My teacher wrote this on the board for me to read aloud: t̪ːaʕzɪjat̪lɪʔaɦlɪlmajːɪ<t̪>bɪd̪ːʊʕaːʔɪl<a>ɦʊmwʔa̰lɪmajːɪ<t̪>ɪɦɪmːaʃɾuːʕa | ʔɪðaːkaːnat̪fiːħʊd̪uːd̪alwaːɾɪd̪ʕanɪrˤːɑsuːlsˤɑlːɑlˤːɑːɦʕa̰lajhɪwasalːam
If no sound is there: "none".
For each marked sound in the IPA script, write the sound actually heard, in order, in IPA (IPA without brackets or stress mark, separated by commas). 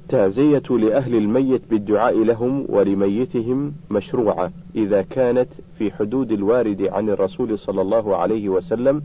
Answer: t̪, a, t̪